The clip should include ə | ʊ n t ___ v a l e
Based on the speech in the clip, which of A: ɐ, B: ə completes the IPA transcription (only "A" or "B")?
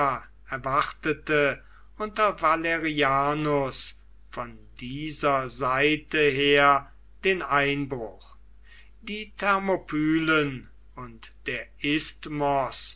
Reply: A